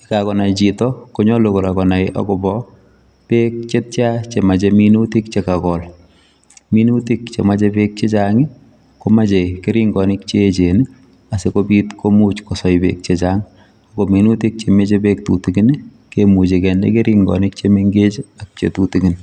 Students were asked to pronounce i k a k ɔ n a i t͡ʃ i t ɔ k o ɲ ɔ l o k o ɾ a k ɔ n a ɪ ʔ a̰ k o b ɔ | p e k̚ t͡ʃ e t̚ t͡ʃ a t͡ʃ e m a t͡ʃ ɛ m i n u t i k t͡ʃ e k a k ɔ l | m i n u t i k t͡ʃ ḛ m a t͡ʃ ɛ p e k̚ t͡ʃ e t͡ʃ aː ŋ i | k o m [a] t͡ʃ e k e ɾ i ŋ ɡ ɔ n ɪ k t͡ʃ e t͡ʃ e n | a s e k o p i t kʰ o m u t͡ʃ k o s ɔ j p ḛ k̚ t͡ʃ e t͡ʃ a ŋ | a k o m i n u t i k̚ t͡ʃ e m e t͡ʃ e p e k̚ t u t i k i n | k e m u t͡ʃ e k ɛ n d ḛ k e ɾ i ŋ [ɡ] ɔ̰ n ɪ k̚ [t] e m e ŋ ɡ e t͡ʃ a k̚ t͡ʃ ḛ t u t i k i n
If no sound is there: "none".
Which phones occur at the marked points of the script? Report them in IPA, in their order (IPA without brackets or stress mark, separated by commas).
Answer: a, ɡ, t͡ʃ